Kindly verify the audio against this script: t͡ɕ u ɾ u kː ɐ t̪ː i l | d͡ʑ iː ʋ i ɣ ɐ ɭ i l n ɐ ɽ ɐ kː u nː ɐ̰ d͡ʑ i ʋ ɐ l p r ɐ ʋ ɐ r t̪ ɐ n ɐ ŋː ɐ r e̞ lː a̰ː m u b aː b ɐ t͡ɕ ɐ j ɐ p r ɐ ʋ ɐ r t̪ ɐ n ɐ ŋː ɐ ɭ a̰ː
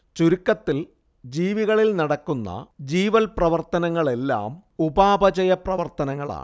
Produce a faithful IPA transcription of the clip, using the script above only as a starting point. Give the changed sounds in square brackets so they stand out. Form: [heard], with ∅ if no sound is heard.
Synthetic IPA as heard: t͡ɕ u ɾ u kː ɐ t̪ː i l | d͡ʑ iː ʋ i ɣ ɐ ɭ i l n ɐ ɽ ɐ kː u nː ɐ̰ d͡ʑ [iː] ʋ ɐ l p r ɐ ʋ ɐ r t̪ ɐ n ɐ ŋː ɐ [ɭ] e̞ lː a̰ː m u b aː b ɐ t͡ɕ ɐ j ɐ p r ɐ ʋ ɐ r t̪ ɐ n ɐ ŋː ɐ ɭ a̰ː

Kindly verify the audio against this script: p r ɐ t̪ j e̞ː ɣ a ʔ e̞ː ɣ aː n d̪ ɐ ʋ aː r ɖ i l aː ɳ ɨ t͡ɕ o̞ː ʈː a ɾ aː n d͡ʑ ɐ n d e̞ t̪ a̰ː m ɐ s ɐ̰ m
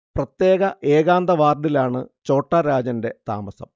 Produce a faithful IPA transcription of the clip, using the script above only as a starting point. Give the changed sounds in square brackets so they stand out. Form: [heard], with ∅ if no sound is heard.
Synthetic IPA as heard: p r ɐ t̪ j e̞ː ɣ [ɐ] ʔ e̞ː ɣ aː n d̪ ɐ ʋ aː r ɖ i l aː ɳ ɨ t͡ɕ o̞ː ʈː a ɾ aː [∅] d͡ʑ ɐ n d e̞ t̪ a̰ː m ɐ s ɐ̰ m

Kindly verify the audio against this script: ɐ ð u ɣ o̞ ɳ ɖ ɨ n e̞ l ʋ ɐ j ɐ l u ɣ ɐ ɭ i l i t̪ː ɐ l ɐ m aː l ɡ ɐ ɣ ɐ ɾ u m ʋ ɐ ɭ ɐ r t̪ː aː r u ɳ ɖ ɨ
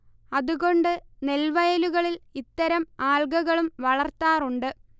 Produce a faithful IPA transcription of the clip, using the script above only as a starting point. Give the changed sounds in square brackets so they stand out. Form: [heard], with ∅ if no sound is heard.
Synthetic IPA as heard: ɐ ð u ɣ o̞ ɳ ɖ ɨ n e̞ l ʋ ɐ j ɐ l u ɣ ɐ ɭ i l i t̪ː ɐ [ɾ] ɐ m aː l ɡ ɐ ɣ ɐ [ɭ] u m ʋ ɐ ɭ ɐ r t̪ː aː r u ɳ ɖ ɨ

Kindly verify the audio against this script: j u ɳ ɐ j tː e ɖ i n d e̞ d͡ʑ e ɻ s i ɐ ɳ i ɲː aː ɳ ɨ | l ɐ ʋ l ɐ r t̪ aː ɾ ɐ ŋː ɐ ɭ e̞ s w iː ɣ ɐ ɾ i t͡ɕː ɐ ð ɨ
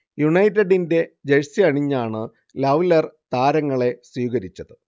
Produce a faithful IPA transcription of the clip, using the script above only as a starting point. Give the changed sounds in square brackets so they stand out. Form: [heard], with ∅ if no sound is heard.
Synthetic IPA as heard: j u ɳ ɐ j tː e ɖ i n d e̞ d͡ʑ e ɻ s i ɐ ɳ i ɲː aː ɳ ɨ | l ɐ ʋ l ɐ r t̪ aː ɾ ɐ ŋː ɐ ɭ e̞ s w iː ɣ ɐ ɾ i t͡ɕː ɐ ð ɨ

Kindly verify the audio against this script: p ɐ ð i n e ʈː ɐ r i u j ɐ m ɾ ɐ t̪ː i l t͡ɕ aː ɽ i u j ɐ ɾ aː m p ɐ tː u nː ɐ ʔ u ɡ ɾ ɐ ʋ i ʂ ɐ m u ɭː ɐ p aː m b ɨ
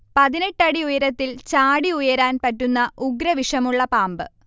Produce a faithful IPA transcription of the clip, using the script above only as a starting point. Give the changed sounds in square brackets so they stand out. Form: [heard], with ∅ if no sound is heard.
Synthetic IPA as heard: p ɐ ð i n e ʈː ɐ [ɽ] i u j ɐ [∅] ɾ ɐ t̪ː i l t͡ɕ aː ɽ i u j ɐ ɾ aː [n] p ɐ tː u nː ɐ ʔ u ɡ ɾ ɐ ʋ i ʂ ɐ m u ɭː ɐ p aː m b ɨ

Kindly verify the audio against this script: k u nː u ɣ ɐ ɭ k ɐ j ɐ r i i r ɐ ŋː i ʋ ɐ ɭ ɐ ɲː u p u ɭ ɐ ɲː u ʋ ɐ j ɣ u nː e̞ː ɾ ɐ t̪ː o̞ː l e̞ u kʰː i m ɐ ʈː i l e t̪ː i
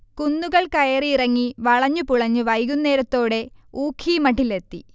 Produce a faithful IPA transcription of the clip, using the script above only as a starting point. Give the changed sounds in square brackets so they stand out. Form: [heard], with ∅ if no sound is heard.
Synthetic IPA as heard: k u nː u ɣ ɐ ɭ k ɐ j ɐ r i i r ɐ ŋː i ʋ ɐ ɭ ɐ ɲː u p u ɭ ɐ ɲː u ʋ ɐ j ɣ u nː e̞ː ɾ ɐ t̪ː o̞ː [ɽ] e̞ [uː] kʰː i m ɐ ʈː i l e t̪ː i

